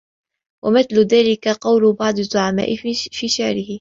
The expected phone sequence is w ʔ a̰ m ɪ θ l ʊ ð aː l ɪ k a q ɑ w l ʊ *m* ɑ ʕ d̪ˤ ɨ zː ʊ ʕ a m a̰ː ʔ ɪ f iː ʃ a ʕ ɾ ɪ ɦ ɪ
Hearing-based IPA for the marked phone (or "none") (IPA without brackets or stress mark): b